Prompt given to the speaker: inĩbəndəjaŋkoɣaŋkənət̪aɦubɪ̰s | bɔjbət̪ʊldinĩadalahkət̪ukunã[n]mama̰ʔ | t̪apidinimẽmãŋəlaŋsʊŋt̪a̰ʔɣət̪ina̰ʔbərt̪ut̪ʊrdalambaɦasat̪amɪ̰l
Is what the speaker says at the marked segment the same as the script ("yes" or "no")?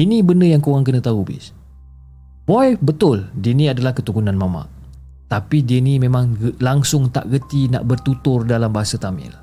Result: yes